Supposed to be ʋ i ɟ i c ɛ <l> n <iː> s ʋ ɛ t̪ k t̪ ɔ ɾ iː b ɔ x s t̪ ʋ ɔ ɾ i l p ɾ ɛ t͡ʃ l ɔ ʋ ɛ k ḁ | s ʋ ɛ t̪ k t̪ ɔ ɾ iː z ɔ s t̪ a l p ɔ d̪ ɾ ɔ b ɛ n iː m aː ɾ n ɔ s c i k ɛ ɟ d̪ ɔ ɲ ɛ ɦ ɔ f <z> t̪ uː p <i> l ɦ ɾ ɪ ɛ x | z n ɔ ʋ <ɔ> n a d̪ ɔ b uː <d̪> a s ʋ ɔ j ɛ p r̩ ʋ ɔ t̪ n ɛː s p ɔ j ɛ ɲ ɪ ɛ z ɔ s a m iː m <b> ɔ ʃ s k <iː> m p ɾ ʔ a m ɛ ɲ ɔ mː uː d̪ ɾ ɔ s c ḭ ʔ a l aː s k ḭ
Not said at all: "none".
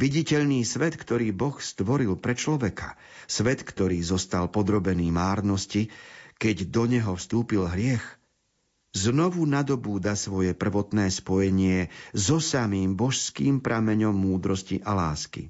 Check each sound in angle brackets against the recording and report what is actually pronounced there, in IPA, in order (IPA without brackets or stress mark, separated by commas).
ʎ, iː, s, i, u, d̪, b, iː